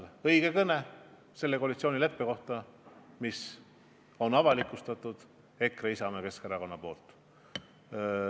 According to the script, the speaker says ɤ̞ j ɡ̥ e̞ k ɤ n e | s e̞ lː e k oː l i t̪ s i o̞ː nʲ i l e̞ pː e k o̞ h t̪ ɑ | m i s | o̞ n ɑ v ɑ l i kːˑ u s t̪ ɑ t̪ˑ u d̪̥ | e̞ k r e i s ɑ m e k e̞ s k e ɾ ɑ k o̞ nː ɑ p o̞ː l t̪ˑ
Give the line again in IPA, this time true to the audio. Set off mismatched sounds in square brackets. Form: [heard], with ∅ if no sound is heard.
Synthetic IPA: ɤ̞ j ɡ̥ e̞ k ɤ n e | s e̞ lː e k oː l i t̪ s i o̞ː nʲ i l e̞ pː e k o̞ h t̪ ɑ | m i s | o̞ n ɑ v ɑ l i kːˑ u s t̪ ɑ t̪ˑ u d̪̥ | e̞ k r e i s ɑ m e k e̞ s k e ɾ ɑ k o̞ nː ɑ p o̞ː l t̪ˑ